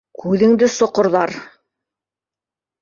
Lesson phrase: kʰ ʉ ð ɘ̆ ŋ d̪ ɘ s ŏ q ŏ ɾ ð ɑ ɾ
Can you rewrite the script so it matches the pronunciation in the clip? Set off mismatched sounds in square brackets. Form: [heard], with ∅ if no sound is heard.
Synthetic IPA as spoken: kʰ ʉ ð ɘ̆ ŋ d̪ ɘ s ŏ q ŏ ɾ ð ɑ ɾ